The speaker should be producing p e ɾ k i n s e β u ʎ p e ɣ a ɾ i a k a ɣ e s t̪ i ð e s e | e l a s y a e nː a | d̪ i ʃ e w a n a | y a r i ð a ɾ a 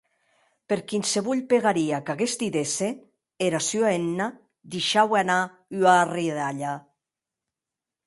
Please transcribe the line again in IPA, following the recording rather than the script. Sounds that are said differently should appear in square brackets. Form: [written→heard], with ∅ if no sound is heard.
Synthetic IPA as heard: p e ɾ k i n s e β u ʎ p e ɣ a ɾ i a k a ɣ e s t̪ i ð e s e | e [l→ɾ] a s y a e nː a | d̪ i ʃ [e→a] w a n a | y a r i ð a [ɾ→ʎ] a